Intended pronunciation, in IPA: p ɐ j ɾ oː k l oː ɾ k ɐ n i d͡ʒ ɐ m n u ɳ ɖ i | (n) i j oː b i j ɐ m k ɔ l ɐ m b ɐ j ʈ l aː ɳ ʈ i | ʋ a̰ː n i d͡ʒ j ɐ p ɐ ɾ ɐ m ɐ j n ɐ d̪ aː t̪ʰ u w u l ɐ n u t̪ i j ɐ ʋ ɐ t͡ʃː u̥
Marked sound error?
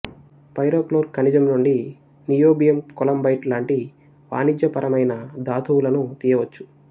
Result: no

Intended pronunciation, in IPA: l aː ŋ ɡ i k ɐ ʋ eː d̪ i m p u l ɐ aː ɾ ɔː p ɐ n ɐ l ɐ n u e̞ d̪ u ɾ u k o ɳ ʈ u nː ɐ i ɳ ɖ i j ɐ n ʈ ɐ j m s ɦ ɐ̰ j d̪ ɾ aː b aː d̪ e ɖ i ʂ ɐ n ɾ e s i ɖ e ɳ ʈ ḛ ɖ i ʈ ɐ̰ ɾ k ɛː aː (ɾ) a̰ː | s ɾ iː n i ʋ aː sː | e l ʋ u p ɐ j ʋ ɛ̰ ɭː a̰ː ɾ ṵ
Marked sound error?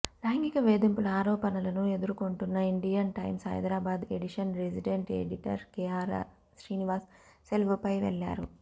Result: no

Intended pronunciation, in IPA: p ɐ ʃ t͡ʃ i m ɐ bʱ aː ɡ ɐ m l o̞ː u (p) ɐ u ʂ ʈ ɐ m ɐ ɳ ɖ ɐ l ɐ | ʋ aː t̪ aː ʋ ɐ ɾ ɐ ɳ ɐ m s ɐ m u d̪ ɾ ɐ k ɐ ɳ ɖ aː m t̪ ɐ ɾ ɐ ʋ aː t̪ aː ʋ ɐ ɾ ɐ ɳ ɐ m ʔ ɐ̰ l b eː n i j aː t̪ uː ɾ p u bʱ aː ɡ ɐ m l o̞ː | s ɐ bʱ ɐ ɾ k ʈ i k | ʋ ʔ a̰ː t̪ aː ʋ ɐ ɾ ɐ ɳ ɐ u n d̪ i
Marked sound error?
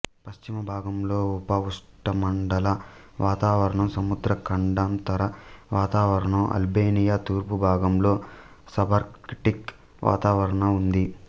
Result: no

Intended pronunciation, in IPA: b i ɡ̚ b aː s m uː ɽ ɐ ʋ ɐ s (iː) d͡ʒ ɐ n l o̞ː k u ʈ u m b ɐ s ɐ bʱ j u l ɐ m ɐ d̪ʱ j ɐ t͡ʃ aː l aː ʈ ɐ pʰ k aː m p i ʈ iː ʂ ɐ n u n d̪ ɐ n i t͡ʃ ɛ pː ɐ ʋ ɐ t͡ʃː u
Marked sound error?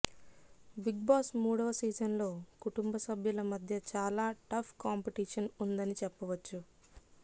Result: no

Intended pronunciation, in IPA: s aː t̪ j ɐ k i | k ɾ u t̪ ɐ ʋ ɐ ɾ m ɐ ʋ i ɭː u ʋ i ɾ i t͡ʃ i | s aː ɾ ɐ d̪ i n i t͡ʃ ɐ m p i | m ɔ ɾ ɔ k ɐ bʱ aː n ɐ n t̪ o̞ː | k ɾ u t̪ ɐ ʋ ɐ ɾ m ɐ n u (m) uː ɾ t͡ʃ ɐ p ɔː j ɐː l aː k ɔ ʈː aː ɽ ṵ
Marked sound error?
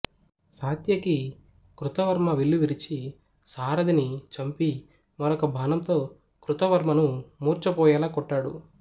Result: no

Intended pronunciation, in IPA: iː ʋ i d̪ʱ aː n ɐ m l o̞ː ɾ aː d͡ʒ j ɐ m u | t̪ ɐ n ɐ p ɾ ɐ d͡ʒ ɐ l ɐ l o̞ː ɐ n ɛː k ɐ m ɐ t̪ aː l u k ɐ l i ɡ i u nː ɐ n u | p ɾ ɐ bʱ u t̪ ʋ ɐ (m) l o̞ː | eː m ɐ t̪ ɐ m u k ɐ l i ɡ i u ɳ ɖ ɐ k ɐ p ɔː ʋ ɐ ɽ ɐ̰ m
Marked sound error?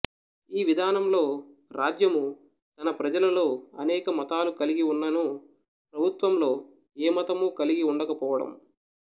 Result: no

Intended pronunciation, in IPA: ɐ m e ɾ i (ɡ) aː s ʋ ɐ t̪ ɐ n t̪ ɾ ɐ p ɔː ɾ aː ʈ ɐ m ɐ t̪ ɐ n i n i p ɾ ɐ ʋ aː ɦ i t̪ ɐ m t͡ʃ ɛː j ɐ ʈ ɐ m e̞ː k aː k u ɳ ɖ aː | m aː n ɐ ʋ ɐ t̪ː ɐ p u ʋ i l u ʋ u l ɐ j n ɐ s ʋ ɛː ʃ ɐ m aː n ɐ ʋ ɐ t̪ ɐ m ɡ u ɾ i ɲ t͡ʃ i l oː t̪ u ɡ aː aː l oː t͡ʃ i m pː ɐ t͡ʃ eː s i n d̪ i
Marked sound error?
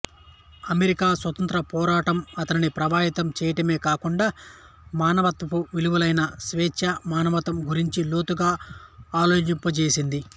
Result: yes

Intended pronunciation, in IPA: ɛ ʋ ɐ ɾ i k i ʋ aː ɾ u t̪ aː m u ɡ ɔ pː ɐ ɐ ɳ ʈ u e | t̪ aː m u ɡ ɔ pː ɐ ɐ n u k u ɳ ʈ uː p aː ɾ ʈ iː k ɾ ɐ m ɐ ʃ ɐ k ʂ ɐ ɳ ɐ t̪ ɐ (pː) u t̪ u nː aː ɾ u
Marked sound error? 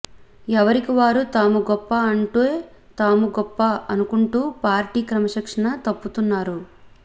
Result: no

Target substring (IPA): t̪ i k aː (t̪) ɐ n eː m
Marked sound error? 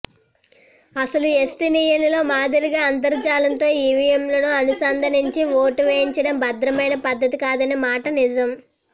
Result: yes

